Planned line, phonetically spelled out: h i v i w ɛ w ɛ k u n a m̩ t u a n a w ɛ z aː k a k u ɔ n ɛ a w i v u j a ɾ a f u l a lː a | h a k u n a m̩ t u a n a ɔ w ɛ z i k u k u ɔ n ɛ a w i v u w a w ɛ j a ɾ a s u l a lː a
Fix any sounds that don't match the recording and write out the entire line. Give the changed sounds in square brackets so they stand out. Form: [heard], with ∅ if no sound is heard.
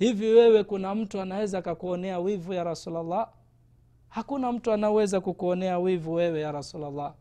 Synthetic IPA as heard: h i v i w ɛ w ɛ k u n a m̩ t u a n a w ɛ z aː k a k u ɔ n ɛ a w i v u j a ɾ a [s] u l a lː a | h a k u n a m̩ t u a n a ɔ w ɛ z [a] k u k u ɔ n ɛ a w i v u w [ɛ] w ɛ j a ɾ a s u l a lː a